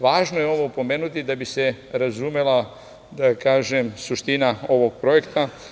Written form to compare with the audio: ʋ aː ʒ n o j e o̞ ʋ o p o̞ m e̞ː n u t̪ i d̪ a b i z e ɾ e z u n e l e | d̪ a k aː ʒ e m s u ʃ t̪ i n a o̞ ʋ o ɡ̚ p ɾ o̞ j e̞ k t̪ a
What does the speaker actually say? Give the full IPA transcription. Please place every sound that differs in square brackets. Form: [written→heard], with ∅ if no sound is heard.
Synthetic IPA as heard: ʋ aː ʒ n o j e o̞ ʋ o p o̞ m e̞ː n u t̪ i d̪ a b i [z→s] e ɾ [e→a] z u [n→m] e l [e→a] | d̪ a k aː ʒ e m s u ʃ t̪ i n a o̞ ʋ o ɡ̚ p ɾ o̞ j e̞ k t̪ a